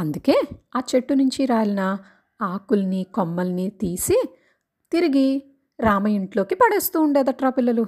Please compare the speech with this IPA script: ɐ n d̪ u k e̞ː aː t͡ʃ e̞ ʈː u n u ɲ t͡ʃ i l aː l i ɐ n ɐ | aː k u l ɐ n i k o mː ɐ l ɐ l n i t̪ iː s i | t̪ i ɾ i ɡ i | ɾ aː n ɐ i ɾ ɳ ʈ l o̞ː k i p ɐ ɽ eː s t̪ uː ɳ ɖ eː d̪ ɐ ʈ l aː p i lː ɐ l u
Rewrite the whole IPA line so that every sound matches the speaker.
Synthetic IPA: ɐ n d̪ u k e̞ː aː t͡ʃ e̞ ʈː u n u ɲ t͡ʃ i ɾ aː l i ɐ n ɐ | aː k u l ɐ n i k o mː ɐ l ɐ n i t̪ iː s i | t̪ i ɾ i ɡ i | ɾ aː m ɐ i ɳ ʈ l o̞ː k i p ɐ ɽ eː s t̪ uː ɳ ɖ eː d̪ ɐ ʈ ɾ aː p i lː ɐ l u